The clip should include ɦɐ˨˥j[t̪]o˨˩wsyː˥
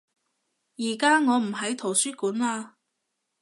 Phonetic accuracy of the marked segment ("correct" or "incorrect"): incorrect